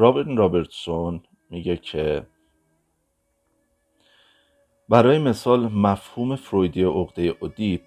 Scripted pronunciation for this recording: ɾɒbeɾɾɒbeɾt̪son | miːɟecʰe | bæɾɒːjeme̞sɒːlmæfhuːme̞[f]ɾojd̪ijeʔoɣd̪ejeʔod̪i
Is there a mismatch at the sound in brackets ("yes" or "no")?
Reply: no